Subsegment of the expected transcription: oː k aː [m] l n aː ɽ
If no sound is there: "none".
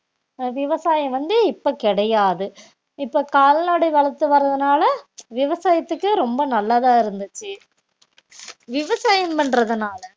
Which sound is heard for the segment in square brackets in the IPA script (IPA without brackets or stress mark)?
none